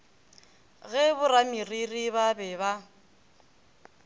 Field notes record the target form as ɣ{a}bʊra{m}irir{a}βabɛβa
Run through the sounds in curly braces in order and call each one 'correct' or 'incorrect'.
incorrect: ɛ, correct, incorrect: i

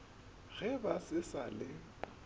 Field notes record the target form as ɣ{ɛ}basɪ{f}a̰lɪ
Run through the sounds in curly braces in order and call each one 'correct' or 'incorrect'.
correct, incorrect: s

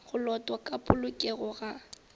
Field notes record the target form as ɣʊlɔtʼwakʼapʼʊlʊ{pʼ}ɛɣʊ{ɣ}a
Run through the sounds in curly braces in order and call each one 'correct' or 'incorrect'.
incorrect: kʼ, correct

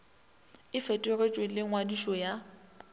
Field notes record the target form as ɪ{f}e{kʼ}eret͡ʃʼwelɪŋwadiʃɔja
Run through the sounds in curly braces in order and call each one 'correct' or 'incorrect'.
correct, incorrect: tʼ

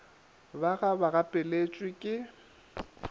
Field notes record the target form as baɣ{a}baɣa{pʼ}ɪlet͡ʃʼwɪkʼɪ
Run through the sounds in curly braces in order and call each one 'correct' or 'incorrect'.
correct, correct

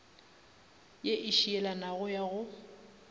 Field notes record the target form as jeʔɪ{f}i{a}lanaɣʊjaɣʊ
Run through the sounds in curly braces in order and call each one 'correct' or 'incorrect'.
incorrect: ʃ, incorrect: ɛ

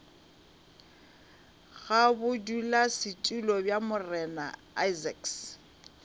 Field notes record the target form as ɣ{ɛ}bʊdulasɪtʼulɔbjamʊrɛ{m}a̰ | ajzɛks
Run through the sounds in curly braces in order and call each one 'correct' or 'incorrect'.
incorrect: a, incorrect: n

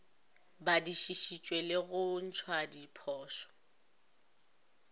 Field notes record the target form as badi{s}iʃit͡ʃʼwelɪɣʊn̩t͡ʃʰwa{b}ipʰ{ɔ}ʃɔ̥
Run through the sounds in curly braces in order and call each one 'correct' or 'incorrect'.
incorrect: ʃ, incorrect: d, incorrect: ɔː

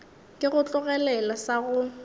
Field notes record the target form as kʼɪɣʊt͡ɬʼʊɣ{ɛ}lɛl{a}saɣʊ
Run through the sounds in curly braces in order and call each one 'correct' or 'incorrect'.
correct, correct

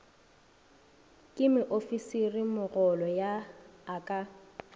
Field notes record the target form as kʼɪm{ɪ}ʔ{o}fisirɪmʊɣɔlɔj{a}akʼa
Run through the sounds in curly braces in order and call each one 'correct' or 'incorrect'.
correct, correct, correct

